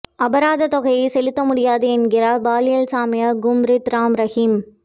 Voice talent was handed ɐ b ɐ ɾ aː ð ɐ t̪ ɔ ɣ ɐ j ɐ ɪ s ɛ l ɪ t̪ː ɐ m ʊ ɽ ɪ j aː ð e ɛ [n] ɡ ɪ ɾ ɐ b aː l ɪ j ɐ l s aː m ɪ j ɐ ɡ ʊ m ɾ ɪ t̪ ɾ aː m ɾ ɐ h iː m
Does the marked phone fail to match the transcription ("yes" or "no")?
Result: no